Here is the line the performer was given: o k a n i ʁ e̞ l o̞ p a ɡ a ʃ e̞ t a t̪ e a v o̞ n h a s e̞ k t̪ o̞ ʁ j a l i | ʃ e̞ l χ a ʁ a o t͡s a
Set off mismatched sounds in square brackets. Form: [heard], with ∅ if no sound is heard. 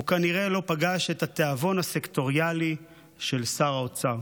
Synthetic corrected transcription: [u] k a n i ʁ e̞ l o̞ p a ɡ a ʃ e̞ t a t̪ e a v o̞ n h a s e̞ k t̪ o̞ ʁ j a l i | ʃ e̞ l [s] a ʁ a o t͡s a